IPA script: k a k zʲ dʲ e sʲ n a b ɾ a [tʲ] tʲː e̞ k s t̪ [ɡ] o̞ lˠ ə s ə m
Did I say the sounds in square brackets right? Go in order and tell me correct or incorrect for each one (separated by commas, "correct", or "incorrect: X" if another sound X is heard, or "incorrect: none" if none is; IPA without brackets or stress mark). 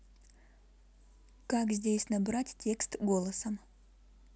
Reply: correct, correct